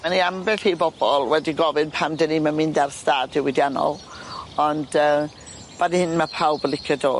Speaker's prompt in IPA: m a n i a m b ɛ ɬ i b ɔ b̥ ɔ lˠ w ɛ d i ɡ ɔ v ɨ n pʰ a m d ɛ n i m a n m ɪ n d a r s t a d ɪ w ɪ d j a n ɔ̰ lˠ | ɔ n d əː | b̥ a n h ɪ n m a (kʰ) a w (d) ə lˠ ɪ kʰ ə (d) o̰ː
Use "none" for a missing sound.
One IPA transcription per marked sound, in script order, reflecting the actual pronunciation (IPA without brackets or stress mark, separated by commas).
pʰ, b, d